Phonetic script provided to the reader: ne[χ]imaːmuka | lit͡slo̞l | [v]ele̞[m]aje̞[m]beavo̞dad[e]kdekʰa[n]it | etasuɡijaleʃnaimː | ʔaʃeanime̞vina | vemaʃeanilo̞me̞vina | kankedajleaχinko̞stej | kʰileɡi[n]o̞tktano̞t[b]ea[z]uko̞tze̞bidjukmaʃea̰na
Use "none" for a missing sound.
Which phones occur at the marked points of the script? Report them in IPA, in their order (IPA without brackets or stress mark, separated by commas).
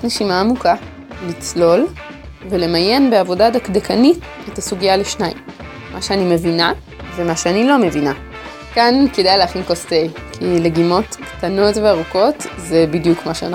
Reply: ʃ, v, m, n, a, n, m, v, ʁ